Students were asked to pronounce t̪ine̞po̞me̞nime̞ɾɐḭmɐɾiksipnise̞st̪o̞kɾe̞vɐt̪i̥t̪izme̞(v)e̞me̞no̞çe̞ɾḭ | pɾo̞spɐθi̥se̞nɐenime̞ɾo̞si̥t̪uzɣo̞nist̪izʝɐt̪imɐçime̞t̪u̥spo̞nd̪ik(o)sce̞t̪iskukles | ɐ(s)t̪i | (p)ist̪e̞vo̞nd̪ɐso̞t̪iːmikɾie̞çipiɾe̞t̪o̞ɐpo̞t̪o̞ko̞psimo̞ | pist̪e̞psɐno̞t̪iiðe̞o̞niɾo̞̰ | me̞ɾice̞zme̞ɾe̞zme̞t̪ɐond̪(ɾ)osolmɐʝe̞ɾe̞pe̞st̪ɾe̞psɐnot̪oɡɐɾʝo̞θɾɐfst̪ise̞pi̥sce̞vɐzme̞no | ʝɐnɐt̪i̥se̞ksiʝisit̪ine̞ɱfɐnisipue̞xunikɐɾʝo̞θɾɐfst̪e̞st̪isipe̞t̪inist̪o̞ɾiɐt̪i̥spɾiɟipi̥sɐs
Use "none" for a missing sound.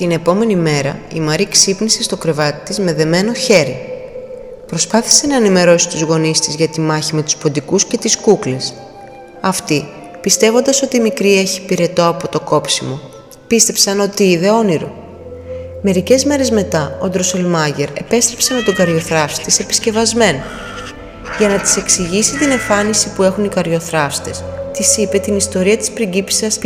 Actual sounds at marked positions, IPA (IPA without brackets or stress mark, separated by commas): ð, u, f, p, ɾ